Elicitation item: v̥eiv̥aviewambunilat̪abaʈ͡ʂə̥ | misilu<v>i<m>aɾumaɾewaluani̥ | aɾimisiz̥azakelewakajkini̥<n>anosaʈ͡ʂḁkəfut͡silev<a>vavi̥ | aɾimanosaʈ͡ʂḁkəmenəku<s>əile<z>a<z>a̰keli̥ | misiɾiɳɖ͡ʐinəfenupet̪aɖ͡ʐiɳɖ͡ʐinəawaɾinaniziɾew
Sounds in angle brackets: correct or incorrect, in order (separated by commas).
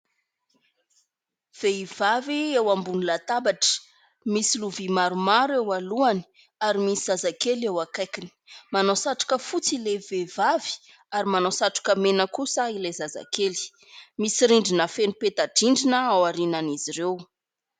correct, correct, incorrect, incorrect, correct, correct, correct